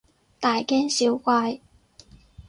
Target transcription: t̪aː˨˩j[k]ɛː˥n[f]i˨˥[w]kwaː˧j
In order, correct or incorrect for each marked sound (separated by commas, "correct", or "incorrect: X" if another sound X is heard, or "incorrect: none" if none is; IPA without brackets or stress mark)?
correct, incorrect: s, correct